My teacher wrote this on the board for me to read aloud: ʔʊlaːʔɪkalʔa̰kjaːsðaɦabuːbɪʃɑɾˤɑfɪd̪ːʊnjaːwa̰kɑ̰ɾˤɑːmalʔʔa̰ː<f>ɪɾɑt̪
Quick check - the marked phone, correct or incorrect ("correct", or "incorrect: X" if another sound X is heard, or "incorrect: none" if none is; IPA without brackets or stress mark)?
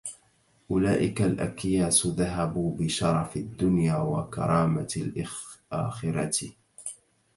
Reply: incorrect: x